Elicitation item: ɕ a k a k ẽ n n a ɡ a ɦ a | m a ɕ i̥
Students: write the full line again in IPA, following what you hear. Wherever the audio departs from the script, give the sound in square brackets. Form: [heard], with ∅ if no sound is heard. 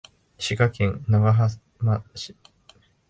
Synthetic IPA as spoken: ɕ [i] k a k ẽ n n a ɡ a ɦ a | m a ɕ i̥

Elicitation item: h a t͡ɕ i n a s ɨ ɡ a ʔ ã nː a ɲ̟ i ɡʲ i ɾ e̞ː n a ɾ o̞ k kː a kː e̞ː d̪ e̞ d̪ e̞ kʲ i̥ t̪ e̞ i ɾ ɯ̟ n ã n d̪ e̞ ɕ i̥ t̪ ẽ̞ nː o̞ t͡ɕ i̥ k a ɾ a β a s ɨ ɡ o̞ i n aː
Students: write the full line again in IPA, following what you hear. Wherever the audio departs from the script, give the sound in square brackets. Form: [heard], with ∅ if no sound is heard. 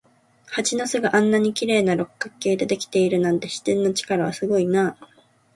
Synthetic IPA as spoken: h a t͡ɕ i n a s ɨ ɡ a ʔ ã nː a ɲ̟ i [kʲ] i ɾ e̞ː n a ɾ o̞ k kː a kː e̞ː d̪ e̞ d̪ e̞ kʲ i̥ t̪ e̞ i ɾ ɯ̟ n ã n [t̪] e̞ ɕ i̥ t̪ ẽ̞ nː o̞ t͡ɕ i̥ k a ɾ a β a s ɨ ɡ o̞ i n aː

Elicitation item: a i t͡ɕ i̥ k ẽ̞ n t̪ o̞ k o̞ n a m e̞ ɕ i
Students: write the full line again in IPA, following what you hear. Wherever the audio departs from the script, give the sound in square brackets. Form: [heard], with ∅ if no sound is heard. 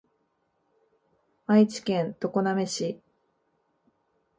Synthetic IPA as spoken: a i t͡ɕ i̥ k ẽ̞ n t̪ o̞ k o̞ n a m e̞ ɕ i

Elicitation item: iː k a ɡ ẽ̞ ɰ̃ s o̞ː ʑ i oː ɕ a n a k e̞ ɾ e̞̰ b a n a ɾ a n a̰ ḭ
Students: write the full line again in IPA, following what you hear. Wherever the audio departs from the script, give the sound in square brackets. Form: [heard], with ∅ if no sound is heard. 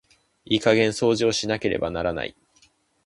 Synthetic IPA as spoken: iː k a ɡ ẽ̞ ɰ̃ s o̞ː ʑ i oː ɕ [i] n a k e̞ ɾ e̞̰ b a n a ɾ a n a̰ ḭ

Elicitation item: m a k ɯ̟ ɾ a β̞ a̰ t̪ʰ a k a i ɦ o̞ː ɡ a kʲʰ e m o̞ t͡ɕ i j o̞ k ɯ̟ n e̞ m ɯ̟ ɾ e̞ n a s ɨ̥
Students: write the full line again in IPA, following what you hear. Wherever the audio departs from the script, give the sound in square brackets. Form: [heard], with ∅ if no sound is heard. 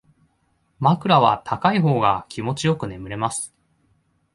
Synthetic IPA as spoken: m a k ɯ̟ ɾ a β̞ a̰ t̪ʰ a k a i ɦ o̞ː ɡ a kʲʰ [i] m o̞ t͡ɕ i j o̞ k ɯ̟ n e̞ m ɯ̟ ɾ e̞ [m] a s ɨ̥

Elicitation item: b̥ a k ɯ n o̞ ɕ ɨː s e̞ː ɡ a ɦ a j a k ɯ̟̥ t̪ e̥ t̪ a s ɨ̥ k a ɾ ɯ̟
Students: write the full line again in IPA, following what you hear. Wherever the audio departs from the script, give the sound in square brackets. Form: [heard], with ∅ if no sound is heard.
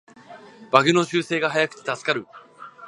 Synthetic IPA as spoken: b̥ a [ɡ] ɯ n o̞ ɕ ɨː s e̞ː ɡ a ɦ a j a k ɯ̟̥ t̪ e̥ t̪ a s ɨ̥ k a ɾ ɯ̟

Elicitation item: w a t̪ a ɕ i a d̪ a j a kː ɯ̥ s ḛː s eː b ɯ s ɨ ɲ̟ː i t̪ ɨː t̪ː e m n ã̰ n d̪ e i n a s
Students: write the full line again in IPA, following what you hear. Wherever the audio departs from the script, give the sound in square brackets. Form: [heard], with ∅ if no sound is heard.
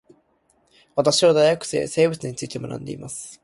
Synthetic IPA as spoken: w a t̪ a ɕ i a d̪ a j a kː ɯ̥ s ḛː s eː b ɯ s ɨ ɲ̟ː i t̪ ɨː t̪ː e m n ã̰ n d̪ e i [m] a s

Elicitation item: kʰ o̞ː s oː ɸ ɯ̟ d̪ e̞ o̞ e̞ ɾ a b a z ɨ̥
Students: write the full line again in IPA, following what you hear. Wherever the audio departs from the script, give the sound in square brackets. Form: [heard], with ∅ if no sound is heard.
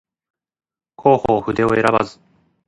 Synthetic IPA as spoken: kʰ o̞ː [h] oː ɸ ɯ̟ d̪ e̞ o̞ e̞ ɾ a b a z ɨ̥

